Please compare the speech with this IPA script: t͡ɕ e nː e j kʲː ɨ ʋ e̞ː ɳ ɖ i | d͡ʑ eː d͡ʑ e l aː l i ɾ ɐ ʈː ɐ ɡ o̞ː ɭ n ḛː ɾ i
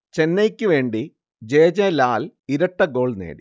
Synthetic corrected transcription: t͡ɕ e nː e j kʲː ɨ ʋ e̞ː ɳ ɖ i | d͡ʑ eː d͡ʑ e l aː l i ɾ ɐ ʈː ɐ ɡ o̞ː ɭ n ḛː ɽ i

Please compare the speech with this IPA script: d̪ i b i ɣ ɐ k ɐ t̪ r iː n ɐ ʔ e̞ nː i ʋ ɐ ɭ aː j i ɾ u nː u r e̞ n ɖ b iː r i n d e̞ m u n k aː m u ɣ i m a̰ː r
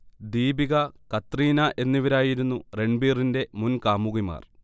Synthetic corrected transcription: d̪ iː b i ɣ ɐ k ɐ t̪ r iː n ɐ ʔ e̞ nː i ʋ ɐ ɾ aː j i ɾ u nː u r e̞ ɳ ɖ b iː r i n d e̞ m u n k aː m u ɣ i m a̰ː r

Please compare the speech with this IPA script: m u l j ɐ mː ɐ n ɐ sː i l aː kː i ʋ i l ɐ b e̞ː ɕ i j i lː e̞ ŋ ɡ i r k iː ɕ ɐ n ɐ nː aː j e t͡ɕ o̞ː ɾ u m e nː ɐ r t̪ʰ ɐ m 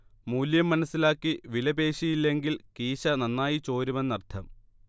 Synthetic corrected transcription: m uː l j ɐ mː ɐ n ɐ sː i l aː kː i ʋ i l ɐ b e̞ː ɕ i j i lː e̞ ŋ ɡ i l k iː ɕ ɐ n ɐ nː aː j i t͡ɕ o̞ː ɾ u m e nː ɐ r t̪ʰ ɐ m

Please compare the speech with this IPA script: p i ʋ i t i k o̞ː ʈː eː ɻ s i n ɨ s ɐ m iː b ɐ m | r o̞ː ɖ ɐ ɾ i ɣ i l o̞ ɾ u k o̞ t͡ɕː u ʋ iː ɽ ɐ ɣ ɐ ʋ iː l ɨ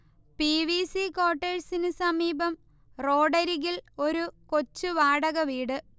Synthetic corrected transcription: p i ʋ i s i k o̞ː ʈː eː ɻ s i n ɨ s ɐ m iː b ɐ m | r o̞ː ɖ ɐ ɾ i ɣ i l o̞ ɾ u k o̞ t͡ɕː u ʋ aː ɽ ɐ ɣ ɐ ʋ iː ɽ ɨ

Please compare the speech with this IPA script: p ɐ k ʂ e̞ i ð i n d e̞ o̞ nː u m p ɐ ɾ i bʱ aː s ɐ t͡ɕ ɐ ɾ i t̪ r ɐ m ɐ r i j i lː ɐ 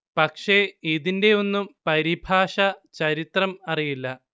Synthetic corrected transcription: p ɐ k ʂ e̞ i ð i n d e̞ o̞ nː u m p ɐ ɾ i bʱ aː ʂ ɐ t͡ɕ ɐ ɾ i t̪ r ɐ m ɐ r i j i lː ɐ

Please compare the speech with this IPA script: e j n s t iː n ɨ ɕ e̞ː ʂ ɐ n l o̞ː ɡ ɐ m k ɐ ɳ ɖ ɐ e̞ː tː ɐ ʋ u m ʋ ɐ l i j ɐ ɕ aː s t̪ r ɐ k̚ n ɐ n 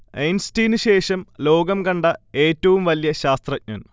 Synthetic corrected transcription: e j n s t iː n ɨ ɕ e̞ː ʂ ɐ m l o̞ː ɡ ɐ m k ɐ ɳ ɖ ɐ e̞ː tː ɐ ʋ u m ʋ ɐ l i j ɐ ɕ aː s t̪ r ɐ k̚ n ɐ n

